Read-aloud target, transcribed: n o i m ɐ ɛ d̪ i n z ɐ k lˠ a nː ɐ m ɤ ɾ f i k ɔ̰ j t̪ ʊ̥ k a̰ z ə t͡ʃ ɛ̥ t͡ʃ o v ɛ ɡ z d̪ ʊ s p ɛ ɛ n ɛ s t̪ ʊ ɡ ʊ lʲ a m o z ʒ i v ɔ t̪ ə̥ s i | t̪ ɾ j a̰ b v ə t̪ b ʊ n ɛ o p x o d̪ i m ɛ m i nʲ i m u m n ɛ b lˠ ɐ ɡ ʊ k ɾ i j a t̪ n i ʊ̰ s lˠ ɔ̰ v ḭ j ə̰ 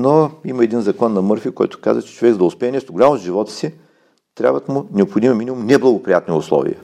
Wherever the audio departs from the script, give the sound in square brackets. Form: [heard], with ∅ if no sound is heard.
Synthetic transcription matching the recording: n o i m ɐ ɛ d̪ i n z ɐ k lˠ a nː ɐ m ɤ ɾ f i k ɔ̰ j t̪ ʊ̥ k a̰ z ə t͡ʃ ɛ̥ t͡ʃ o v ɛ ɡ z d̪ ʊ s p ɛ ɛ n ɛ s t̪ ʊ ɡ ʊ lʲ a m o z ʒ i v ɔ t̪ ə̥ s i | t̪ ɾ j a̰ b v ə t̪ [m] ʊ n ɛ o p x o d̪ i m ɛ m i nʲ i m u m n ɛ b lˠ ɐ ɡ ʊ [p] ɾ i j a t̪ n i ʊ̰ s lˠ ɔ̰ v ḭ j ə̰